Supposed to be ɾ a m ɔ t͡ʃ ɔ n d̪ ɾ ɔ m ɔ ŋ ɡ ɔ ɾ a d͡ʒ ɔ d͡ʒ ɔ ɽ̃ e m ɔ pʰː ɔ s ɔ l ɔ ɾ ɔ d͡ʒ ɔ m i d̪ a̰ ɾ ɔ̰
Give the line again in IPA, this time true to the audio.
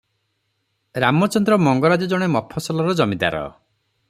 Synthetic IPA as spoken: ɾ a m ɔ t͡ʃ ɔ n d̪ ɾ ɔ m ɔ ŋ ɡ ɔ ɾ a d͡ʒ ɔ d͡ʒ ɔ ɽ̃ e m ɔ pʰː ɔ s ɔ l ɔ ɾ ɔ d͡ʒ ɔ m i d̪ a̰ ɾ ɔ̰